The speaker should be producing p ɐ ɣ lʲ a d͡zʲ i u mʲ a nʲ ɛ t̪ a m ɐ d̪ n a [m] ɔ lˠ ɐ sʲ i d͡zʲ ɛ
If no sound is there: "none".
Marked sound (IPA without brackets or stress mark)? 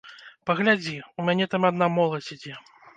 m